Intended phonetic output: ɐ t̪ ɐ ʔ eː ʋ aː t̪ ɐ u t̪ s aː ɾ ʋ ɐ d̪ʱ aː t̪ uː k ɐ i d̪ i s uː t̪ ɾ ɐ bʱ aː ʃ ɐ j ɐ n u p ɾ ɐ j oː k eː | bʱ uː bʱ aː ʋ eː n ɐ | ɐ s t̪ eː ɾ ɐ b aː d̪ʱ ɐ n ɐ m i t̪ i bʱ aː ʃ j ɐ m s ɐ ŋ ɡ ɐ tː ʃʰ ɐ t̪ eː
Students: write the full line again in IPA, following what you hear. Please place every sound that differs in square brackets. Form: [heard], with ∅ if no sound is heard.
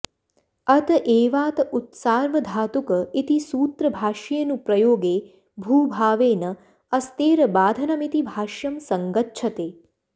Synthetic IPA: ɐ t̪ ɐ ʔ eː ʋ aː t̪ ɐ u t̪ s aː ɾ ʋ ɐ d̪ʱ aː t̪ [u] k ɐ i [t̪] i s uː t̪ ɾ ɐ bʱ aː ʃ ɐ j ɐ n u p ɾ ɐ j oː [ɡ] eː | bʱ uː bʱ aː ʋ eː n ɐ | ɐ s t̪ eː ɾ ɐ b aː d̪ʱ ɐ n ɐ m i t̪ i bʱ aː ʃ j ɐ m s ɐ ŋ ɡ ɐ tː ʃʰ ɐ t̪ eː